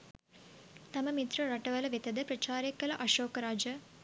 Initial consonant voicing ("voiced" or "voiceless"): voiceless